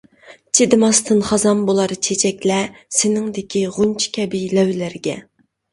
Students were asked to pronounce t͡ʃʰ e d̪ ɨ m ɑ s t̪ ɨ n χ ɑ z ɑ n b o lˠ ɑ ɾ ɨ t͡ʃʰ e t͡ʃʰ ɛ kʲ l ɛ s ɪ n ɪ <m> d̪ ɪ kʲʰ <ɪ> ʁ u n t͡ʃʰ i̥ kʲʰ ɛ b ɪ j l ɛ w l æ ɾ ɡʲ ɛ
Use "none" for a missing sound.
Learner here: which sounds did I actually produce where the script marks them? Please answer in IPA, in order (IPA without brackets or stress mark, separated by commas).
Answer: ŋ, i